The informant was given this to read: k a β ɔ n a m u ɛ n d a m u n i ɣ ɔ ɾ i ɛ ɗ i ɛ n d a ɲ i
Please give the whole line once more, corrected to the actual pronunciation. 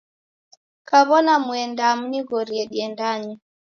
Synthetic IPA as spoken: k a β ɔ n a m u ɛ n d a m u n i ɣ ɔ ɾ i ɛ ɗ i ɛ n d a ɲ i